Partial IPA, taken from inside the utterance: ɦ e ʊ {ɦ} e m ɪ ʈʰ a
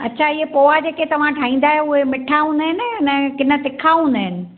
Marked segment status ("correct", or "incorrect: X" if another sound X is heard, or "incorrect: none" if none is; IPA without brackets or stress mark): correct